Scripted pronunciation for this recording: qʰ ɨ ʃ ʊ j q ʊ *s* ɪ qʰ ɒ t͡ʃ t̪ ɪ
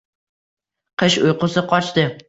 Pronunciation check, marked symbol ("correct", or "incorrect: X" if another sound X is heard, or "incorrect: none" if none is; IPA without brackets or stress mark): correct